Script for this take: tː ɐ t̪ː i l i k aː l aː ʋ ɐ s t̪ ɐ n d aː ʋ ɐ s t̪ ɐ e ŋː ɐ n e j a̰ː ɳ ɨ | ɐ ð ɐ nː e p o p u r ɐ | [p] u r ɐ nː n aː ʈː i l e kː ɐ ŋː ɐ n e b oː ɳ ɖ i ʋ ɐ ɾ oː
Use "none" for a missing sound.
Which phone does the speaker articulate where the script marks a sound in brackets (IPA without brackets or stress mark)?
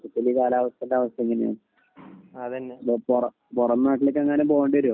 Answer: p